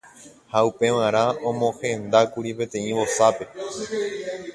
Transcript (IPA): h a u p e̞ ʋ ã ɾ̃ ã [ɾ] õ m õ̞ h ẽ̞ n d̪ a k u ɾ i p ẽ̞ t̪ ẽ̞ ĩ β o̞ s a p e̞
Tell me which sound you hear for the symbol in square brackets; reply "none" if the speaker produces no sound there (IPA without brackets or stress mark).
none